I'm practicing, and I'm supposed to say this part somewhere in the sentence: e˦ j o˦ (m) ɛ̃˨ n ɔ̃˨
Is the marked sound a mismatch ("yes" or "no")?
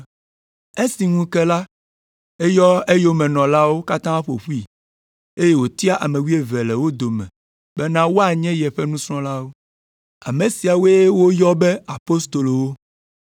no